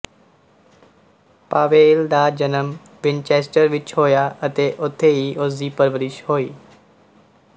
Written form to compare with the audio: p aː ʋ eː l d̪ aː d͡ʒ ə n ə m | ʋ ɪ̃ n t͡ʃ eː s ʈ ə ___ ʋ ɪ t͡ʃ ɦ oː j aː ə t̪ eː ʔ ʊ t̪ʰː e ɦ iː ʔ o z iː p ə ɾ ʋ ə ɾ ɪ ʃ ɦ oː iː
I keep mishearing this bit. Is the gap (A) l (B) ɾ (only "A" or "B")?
B